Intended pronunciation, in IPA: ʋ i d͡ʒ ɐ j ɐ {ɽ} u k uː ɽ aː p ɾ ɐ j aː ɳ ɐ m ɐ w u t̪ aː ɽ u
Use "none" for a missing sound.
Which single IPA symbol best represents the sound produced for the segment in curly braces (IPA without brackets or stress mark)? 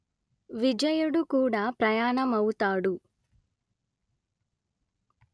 ɽ